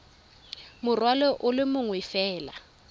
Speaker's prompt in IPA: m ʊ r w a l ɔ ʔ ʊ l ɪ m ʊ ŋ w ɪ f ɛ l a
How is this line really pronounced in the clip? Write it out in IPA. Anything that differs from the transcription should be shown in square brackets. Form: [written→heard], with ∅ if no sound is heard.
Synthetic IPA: m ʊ r w a l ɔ ʔ ʊ l ɪ m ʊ ŋ w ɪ f [ɛ→ɛː] l a